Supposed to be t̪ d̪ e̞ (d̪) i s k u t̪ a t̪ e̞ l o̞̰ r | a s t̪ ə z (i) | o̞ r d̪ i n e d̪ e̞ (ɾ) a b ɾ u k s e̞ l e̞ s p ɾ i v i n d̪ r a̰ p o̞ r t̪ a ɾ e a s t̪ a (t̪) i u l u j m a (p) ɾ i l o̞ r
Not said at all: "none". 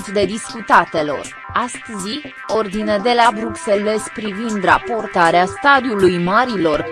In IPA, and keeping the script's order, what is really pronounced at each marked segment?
d̪, i, l, d̪, none

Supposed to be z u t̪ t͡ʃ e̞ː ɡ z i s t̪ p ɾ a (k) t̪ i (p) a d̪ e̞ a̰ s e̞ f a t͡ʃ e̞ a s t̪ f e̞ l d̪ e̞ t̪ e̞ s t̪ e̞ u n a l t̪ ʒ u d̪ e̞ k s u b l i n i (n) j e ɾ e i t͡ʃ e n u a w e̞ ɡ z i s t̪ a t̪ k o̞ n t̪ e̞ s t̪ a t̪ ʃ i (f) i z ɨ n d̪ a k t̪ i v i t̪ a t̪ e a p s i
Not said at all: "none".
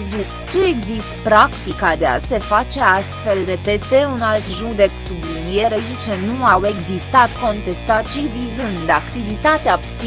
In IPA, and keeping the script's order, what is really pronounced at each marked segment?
k, k, none, v

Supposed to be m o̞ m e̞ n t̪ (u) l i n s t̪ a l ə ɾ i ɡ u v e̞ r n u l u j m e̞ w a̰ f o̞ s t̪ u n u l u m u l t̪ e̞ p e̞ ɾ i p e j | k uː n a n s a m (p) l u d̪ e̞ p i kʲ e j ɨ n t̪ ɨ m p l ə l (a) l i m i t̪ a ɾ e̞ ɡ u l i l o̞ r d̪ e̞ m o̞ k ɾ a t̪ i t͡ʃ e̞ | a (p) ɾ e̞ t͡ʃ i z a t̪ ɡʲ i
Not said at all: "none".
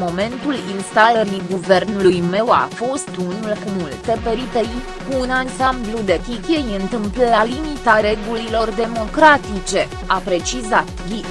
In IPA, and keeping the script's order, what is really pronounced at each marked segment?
u, b, a, p

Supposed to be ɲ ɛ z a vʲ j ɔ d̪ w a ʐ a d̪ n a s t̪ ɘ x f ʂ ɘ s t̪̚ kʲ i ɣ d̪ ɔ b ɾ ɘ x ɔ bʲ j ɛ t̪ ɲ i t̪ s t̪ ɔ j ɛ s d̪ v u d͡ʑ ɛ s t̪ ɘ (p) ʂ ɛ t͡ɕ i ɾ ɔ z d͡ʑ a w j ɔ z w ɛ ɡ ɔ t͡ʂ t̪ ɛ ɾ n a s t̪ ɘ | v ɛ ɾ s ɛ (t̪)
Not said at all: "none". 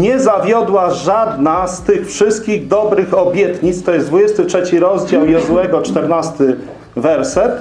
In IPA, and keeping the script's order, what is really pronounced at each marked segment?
t, t̪

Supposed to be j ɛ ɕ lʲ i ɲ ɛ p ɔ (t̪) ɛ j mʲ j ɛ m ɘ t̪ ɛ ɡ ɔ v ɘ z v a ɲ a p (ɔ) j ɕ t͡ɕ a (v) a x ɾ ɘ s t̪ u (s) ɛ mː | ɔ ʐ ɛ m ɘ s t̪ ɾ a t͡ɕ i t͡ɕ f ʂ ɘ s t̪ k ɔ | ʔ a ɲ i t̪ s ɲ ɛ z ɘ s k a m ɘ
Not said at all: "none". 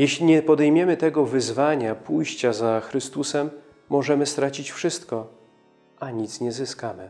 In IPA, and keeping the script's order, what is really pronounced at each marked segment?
d̪, u, z, s

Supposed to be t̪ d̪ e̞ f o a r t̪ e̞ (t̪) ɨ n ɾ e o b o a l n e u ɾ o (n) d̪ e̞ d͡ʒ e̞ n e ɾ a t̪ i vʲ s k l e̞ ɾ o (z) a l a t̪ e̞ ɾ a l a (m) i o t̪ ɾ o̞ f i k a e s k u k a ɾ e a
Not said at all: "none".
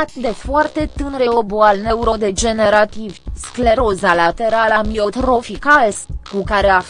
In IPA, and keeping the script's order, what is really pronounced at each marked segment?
t̪, none, z, m

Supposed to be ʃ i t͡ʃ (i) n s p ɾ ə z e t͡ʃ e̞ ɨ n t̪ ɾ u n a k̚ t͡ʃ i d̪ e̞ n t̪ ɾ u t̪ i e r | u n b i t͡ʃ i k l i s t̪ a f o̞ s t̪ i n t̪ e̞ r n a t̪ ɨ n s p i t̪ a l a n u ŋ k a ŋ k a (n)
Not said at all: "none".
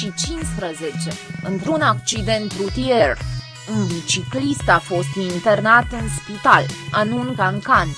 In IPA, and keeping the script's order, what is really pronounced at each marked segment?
i, n

